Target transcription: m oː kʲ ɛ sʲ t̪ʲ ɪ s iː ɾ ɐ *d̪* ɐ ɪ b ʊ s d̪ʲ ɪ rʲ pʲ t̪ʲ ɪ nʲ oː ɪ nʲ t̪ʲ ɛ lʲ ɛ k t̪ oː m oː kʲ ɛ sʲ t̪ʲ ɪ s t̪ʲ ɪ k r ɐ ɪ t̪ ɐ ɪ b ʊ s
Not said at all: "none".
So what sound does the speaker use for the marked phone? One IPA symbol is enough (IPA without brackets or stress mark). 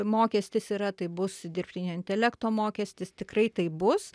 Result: t̪